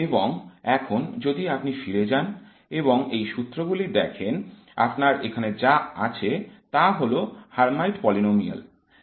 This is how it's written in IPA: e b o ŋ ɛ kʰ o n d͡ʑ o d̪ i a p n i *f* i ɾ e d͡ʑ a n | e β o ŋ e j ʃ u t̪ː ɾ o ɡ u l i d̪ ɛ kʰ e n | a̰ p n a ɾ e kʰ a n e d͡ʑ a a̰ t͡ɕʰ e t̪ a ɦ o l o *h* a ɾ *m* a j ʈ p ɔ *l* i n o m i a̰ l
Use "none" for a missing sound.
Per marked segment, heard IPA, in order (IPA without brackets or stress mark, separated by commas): f, h, m, l